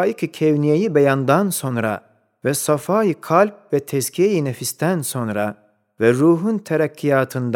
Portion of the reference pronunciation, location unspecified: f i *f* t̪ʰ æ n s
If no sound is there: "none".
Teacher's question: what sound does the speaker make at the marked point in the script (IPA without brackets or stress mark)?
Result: s